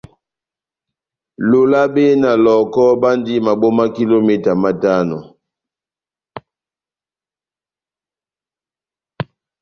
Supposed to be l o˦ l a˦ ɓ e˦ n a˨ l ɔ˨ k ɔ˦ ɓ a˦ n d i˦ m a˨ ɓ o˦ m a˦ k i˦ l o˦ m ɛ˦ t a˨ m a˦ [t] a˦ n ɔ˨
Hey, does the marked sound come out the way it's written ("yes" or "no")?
yes